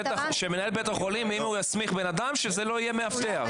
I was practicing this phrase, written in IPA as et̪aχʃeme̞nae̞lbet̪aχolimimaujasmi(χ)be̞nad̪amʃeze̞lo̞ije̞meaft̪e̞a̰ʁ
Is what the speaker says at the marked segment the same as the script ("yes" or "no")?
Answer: yes